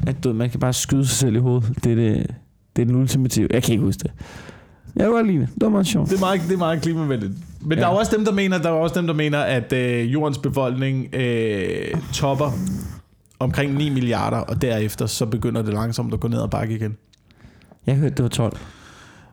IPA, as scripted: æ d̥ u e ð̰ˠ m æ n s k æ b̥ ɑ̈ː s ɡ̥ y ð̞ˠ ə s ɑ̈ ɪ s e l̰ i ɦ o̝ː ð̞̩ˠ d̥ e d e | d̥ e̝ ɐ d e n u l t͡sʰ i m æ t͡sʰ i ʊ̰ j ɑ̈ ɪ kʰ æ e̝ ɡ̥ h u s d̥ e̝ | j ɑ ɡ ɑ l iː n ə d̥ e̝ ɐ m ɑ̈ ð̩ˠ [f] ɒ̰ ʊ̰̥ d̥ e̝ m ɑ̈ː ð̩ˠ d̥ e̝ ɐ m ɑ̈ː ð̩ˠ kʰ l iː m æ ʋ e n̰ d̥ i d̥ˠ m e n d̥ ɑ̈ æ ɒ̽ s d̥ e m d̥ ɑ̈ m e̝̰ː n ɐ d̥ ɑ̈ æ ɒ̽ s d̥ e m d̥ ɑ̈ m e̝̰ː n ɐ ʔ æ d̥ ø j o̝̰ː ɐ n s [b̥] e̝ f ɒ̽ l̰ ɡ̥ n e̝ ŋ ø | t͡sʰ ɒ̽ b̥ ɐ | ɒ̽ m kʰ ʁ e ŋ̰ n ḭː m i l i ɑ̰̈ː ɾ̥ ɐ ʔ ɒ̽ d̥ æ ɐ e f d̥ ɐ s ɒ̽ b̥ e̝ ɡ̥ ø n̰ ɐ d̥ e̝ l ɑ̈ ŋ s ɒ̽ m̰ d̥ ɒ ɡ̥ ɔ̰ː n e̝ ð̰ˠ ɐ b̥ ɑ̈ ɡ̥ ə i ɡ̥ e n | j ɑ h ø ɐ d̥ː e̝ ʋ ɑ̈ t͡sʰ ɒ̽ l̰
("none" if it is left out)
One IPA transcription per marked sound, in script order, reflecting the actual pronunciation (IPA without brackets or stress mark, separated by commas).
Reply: ɕ, b̥